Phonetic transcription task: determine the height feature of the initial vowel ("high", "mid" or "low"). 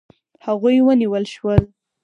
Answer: low